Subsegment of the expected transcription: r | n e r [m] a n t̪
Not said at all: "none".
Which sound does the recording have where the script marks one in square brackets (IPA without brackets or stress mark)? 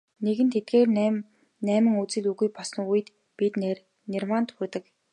m